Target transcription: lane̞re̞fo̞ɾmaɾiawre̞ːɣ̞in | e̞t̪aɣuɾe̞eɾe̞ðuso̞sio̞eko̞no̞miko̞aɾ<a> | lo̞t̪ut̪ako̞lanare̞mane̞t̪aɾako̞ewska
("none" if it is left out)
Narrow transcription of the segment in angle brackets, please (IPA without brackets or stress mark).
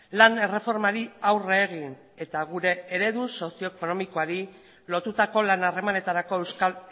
i